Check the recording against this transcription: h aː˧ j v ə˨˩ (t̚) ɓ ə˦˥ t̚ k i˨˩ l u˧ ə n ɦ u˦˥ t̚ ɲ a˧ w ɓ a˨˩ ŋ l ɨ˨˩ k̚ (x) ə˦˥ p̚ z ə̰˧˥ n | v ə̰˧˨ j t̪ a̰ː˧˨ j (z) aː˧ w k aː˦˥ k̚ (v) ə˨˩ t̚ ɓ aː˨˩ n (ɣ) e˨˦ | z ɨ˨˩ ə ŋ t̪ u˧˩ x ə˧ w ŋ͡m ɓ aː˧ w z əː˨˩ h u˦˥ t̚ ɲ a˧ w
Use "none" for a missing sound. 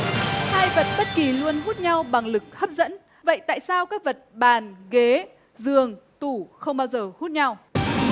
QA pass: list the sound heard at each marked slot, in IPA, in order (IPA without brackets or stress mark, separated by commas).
t̚, h, s, v, ɣ